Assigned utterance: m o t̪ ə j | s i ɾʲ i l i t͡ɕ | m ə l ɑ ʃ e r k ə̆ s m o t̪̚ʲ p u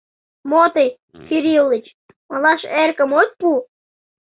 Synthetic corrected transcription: m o t̪ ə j | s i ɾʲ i l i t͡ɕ | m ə l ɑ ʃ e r k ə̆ m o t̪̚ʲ p u